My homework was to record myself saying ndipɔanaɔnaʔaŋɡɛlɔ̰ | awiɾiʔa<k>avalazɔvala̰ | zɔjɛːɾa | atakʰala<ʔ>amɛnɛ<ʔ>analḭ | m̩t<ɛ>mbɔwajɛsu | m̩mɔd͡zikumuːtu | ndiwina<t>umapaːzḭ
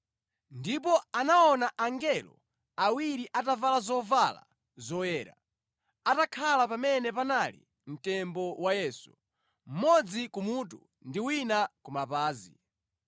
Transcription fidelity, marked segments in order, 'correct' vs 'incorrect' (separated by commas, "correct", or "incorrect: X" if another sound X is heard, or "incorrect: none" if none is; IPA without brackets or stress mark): incorrect: t, incorrect: p, incorrect: p, correct, incorrect: k